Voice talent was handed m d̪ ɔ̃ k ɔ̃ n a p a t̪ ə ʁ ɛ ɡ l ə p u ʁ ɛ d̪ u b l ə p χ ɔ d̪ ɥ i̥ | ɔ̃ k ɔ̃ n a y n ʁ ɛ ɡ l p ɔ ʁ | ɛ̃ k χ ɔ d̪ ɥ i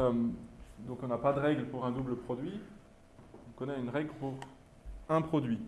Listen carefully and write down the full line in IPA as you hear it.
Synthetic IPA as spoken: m d̪ ɔ̃ k ɔ̃ n a p a d̪ ə ʁ ɛ ɡ l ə p u ʁ ɛ̃ d̪ u b l ə p χ ɔ d̪ ɥ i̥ | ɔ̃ k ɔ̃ n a y n ʁ ɛ ɡ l p u ʁ | ɛ̃ p χ ɔ d̪ ɥ i